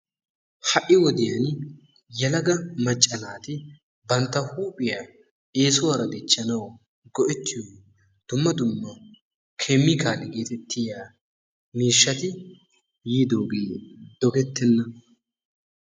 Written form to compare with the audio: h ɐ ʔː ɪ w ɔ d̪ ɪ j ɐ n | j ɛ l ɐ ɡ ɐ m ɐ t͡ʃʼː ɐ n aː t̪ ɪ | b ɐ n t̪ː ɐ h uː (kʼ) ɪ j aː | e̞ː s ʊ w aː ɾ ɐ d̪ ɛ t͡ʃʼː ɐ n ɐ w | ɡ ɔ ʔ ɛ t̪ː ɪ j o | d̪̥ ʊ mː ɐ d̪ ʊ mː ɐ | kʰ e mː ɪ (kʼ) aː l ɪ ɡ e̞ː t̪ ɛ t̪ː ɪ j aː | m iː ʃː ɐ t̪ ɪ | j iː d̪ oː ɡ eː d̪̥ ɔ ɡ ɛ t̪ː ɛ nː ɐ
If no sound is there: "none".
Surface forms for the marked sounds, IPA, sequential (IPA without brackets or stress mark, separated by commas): pʼ, k